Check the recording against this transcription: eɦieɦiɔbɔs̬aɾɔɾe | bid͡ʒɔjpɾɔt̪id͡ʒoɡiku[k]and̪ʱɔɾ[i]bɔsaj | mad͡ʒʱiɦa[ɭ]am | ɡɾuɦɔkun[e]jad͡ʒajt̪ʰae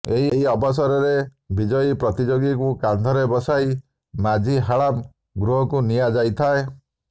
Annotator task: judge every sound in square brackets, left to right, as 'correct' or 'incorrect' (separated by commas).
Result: correct, incorrect, correct, incorrect